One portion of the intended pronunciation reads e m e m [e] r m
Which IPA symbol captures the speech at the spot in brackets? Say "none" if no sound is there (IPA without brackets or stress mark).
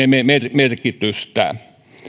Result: e